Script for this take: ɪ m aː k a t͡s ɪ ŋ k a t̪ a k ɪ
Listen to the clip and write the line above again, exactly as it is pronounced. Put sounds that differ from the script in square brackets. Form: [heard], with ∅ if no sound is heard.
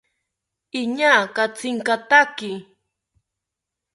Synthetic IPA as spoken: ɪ [ɲ] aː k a t͡s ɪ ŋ k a t̪ a k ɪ